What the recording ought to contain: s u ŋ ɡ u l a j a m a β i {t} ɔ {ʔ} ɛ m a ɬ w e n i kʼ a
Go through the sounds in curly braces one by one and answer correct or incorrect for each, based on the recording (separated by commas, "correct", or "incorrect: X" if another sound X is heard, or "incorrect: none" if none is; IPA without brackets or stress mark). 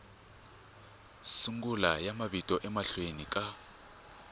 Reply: incorrect: tʼ, correct